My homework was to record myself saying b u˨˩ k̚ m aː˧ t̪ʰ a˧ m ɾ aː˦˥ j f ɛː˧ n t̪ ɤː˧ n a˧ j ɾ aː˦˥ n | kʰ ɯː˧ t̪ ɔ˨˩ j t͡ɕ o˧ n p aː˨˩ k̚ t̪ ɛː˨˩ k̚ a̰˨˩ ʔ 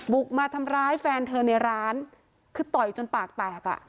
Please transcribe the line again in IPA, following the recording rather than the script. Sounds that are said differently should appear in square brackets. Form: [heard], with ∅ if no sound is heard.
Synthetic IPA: b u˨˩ k̚ m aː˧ t̪ʰ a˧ m ɾ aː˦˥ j f ɛː˧ n [t̪ʰ] ɤː˧ n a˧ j ɾ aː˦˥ n | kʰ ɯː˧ t̪ ɔ˨˩ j t͡ɕ o˧ n p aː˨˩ k̚ t̪ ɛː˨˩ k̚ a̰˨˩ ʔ